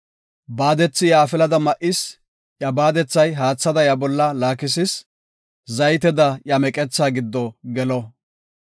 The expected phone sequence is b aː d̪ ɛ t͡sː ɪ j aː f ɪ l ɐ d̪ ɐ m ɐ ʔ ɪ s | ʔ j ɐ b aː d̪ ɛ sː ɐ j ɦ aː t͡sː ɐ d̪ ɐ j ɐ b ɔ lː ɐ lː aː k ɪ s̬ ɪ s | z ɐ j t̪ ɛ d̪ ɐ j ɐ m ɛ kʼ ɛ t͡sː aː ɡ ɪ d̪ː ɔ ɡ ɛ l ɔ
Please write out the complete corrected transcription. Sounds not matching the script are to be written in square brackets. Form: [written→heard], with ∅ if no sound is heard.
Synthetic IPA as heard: b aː d̪ ɛ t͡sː ɪ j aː f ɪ l ɐ d̪ ɐ m ɐ ʔ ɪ s | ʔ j ɐ b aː d̪ ɛ [sː→t͡sː] ɐ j ɦ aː t͡sː ɐ d̪ ɐ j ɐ b ɔ lː ɐ [lː→l] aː k ɪ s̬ ɪ s | z ɐ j t̪ ɛ d̪ ɐ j ɐ m ɛ kʼ ɛ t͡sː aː ɡ ɪ d̪ː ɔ ɡ ɛ l ɔ